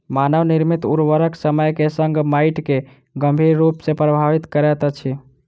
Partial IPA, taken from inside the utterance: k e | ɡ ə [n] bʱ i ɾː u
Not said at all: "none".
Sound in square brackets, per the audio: m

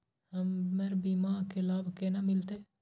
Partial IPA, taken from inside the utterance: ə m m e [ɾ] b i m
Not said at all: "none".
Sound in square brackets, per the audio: ɾ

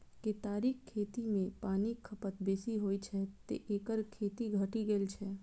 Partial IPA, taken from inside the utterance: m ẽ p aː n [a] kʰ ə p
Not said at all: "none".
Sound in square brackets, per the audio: i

